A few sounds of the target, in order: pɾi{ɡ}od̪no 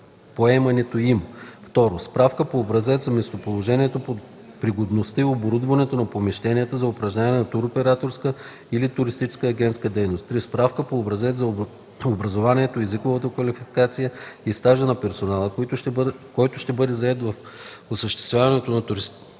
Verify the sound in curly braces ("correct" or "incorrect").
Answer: correct